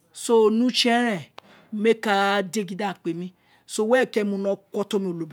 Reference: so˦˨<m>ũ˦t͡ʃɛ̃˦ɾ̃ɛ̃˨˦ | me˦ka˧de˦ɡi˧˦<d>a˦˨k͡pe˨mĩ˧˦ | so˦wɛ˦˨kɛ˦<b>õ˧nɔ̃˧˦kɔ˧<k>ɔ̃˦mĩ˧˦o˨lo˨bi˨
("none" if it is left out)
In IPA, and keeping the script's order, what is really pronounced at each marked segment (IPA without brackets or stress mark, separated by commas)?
n, d, m, t